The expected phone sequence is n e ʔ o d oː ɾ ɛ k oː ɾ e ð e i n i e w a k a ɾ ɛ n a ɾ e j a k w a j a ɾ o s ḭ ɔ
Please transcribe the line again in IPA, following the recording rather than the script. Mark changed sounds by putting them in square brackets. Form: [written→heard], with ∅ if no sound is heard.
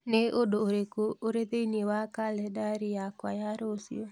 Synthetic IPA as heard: n e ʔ o d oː ɾ [ɛ→e] k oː ɾ e ð e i n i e w a k a [ɾ→l] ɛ [n→d] a ɾ [e→i] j a k w a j a ɾ o s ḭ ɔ